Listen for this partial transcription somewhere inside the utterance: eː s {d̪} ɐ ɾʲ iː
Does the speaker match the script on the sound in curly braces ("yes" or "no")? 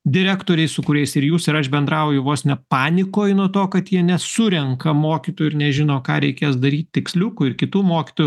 yes